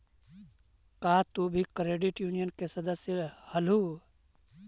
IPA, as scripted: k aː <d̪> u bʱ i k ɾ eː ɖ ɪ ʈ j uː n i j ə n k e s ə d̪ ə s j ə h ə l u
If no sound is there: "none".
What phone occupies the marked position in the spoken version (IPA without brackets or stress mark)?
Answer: t̪